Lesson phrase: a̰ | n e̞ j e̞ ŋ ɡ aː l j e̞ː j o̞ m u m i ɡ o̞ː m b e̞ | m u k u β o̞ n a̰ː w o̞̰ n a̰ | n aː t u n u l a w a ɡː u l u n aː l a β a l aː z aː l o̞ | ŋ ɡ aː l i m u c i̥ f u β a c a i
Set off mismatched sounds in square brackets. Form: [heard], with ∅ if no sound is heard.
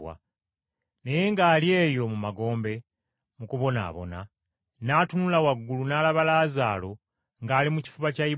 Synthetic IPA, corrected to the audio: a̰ | n e̞ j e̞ ŋ ɡ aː l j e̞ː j o̞ m u m [a] ɡ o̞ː m b e̞ | m u k u β o̞ n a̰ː [β] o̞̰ n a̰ | n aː t u n u l a w a ɡː u l u n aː l a β a l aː z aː l o̞ | ŋ ɡ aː l i m u c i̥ f u β a c a i